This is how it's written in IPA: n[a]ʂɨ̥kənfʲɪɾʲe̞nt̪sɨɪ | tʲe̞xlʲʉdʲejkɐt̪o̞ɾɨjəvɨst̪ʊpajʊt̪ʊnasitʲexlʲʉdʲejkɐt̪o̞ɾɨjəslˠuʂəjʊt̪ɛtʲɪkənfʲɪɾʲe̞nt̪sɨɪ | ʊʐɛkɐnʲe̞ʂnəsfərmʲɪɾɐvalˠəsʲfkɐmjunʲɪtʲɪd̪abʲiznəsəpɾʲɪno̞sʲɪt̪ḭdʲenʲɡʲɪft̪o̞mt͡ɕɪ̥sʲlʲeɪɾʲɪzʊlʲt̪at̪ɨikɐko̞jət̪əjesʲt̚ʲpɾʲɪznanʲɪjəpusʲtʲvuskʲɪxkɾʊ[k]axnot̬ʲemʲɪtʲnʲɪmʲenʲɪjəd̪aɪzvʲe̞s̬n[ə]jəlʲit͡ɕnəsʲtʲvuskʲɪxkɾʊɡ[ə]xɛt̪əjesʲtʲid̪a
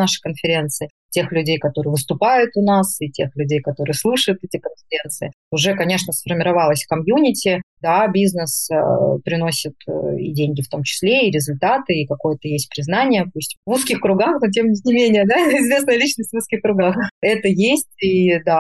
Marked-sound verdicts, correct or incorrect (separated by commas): correct, incorrect, correct, incorrect